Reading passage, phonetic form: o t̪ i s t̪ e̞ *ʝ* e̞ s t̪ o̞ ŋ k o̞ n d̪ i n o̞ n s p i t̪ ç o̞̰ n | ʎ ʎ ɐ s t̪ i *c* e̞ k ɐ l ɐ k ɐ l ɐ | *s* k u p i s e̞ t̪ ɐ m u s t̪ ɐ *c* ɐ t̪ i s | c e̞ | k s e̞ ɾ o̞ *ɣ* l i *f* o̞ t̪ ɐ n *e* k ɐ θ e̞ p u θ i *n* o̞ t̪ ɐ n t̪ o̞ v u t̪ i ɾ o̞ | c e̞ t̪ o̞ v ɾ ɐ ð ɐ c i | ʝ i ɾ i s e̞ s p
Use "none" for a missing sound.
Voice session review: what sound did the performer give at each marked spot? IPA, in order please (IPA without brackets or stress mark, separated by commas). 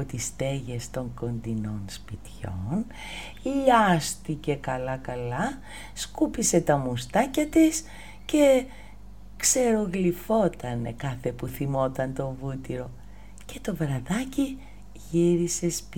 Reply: ʝ, c, s, c, ɣ, f, e, m